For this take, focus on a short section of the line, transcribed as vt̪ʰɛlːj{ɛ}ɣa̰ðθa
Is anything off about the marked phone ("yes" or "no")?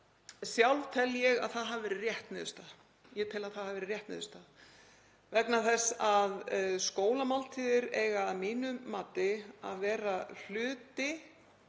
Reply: no